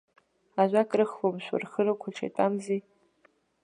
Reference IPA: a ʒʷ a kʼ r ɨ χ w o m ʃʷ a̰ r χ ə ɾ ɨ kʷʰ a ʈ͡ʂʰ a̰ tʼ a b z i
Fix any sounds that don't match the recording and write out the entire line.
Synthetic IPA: a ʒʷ a kʼ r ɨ χ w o m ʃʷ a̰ r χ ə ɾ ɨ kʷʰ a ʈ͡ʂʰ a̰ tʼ a m z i